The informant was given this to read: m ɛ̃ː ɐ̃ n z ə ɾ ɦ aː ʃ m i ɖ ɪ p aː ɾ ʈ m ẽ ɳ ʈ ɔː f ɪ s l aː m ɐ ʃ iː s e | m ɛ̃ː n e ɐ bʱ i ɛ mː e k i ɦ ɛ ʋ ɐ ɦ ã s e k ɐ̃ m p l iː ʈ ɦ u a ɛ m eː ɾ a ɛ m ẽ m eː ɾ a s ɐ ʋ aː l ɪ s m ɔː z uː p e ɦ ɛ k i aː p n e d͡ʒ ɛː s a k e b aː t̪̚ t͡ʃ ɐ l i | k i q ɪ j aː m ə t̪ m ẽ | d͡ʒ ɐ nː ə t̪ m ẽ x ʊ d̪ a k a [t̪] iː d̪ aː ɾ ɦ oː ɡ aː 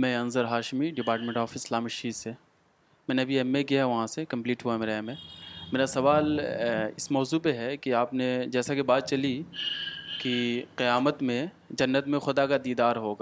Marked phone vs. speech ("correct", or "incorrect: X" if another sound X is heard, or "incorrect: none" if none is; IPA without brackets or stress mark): incorrect: d̪